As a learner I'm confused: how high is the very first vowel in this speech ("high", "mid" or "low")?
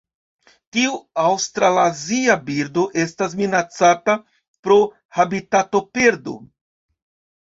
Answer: high